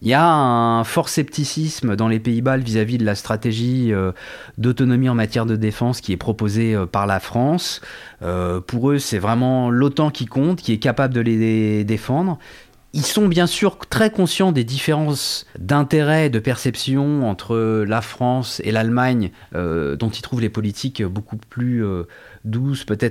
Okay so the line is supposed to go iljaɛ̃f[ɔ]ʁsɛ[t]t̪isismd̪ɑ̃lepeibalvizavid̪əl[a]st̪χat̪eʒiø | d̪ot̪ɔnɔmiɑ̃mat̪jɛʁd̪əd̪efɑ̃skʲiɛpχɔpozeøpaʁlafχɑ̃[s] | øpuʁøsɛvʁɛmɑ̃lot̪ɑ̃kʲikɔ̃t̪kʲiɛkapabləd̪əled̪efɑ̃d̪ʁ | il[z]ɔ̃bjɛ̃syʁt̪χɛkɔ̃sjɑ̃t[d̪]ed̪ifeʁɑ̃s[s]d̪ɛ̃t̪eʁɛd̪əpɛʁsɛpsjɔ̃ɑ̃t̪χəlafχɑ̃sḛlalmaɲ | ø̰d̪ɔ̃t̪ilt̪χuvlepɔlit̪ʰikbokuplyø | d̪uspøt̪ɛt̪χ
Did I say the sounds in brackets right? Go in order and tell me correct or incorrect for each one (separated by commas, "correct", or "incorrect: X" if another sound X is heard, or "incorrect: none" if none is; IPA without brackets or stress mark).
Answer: correct, incorrect: p, correct, correct, incorrect: s, correct, correct